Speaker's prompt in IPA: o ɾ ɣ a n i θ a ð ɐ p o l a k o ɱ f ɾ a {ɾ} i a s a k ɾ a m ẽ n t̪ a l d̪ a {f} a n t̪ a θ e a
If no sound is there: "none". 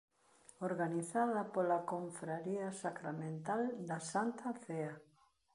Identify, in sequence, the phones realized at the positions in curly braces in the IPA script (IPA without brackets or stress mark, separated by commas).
ɾ, s